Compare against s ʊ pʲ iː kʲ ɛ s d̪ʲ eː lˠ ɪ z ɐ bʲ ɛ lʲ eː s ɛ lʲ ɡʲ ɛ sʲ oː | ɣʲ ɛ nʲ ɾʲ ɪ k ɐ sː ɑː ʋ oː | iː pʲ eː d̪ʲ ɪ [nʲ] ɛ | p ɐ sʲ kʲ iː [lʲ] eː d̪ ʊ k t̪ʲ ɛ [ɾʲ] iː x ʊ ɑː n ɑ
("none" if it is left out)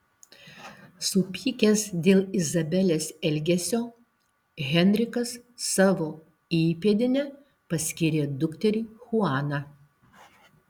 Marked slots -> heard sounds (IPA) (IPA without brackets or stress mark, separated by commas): nʲ, ɾʲ, ɾʲ